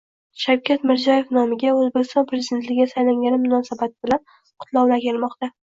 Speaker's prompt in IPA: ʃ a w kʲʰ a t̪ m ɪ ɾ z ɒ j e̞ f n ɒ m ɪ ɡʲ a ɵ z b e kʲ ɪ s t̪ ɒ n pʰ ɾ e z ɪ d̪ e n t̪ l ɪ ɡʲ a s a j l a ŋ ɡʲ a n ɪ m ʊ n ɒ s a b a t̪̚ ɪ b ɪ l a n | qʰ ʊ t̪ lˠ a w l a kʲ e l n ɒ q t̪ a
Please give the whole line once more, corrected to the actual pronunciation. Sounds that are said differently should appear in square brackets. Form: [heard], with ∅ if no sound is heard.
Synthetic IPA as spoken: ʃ a w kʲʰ a t̪ m ɪ ɾ z ɒ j e̞ f n ɒ m ɪ ɡʲ a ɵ z b e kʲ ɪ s t̪ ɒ n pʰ ɾ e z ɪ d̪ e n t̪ l ɪ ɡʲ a s a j l a ŋ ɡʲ a n ɪ m ʊ n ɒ s a b a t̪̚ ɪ b ɪ l a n | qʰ ʊ t̪ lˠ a w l a kʲ e l [m] ɒ q t̪ a